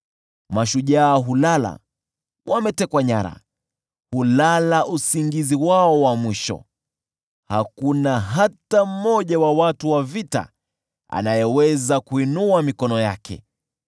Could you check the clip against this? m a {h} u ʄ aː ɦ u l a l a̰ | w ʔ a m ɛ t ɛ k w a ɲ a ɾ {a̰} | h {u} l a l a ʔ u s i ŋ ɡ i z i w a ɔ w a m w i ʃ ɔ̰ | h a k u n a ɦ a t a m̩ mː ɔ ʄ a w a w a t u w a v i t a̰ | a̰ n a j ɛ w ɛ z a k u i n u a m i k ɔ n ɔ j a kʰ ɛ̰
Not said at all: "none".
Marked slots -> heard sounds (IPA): ʃ, a̰, u

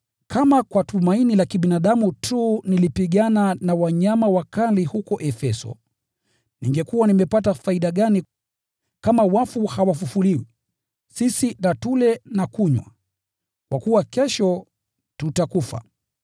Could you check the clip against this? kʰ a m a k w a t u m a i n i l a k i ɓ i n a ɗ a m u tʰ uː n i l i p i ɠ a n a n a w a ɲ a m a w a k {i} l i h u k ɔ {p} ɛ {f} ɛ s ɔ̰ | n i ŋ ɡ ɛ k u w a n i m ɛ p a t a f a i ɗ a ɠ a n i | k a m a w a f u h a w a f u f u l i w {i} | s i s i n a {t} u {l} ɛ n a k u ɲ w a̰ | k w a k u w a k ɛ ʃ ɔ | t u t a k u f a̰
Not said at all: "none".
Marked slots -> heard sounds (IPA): a, ʔ, f, i, t, l

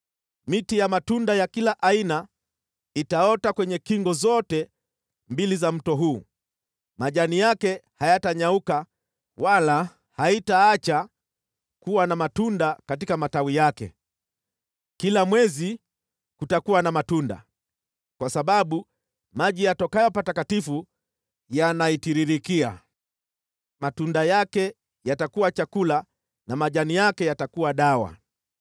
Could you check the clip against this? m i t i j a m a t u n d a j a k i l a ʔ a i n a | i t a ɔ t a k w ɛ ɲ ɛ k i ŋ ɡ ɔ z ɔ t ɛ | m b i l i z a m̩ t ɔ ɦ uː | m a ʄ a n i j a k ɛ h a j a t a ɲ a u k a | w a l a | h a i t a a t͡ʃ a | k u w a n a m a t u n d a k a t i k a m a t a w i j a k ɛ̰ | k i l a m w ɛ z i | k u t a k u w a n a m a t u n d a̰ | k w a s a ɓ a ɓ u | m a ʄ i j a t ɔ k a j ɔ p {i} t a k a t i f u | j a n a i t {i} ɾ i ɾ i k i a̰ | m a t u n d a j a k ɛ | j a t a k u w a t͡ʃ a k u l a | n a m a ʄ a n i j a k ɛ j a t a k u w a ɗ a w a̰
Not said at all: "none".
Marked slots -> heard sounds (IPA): a, i

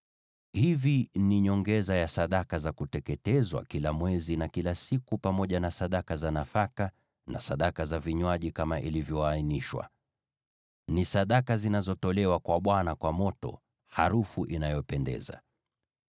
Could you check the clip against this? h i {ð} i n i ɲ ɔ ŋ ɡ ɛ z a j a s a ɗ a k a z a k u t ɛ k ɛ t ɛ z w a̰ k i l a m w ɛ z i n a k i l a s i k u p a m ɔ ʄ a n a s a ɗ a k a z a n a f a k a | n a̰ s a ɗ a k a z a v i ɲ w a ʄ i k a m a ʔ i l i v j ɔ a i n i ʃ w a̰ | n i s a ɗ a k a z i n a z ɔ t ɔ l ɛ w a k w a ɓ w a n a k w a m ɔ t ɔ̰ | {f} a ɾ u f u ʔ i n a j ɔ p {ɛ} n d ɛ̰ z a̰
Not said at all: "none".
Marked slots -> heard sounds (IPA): v, h, ɛ

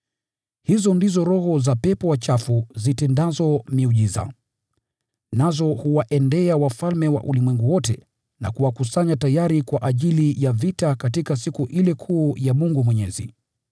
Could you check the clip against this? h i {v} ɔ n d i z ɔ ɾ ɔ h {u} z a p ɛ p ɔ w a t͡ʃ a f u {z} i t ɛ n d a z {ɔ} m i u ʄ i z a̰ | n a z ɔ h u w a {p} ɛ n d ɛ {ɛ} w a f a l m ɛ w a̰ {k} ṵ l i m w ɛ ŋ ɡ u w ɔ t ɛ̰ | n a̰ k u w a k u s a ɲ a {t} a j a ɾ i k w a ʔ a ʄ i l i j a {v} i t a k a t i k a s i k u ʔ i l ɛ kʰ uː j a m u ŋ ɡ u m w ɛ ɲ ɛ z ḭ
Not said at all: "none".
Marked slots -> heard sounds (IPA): z, ɔ, z, ɔ, ʔ, a, ʔ, t, v

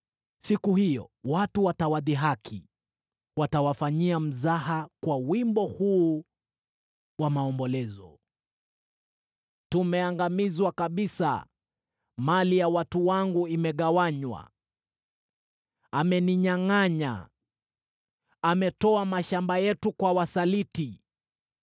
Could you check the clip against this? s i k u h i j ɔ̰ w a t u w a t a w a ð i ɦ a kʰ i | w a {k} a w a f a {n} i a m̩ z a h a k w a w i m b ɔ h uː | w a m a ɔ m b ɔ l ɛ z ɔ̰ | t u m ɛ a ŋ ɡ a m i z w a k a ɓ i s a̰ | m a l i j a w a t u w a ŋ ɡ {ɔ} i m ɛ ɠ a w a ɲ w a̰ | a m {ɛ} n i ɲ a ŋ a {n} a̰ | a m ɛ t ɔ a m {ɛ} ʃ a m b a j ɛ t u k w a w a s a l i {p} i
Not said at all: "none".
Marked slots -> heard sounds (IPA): t, ɲ, u, ɛ, ɲ, a, t

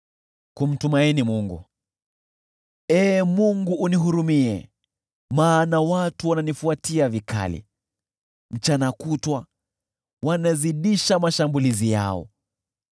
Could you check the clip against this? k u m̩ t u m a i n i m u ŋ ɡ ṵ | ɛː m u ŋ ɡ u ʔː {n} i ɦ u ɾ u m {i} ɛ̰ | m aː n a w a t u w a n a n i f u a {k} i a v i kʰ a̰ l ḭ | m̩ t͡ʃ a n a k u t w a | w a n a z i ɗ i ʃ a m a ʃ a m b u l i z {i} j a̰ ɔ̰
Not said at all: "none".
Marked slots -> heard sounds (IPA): n, i, t, i

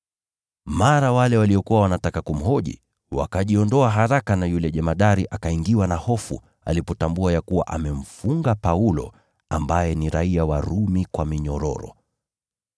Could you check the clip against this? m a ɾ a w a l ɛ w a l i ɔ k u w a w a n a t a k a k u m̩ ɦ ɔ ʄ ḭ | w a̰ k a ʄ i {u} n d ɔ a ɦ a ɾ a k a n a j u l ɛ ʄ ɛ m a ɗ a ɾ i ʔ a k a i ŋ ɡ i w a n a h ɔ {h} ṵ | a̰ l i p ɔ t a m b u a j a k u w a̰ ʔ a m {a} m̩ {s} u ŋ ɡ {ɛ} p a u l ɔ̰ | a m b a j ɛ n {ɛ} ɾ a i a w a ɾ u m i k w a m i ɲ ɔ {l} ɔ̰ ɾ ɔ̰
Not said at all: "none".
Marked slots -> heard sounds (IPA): ɔ, f, ɛ, f, a, i, ɾ

